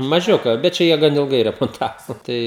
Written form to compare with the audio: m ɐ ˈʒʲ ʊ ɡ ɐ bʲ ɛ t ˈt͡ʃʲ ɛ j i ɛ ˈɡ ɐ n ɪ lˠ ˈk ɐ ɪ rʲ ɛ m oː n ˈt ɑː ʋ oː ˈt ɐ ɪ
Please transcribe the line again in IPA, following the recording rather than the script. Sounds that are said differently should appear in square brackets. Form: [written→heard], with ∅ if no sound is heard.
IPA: m ɐ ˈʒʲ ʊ [ɡ→k] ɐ bʲ ɛ t ˈt͡ʃʲ ɛ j i ɛ ˈɡ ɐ n ɪ lˠ [ˈk→ˈɡ] ɐ ɪ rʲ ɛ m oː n ˈt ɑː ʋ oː ˈt ɐ ɪ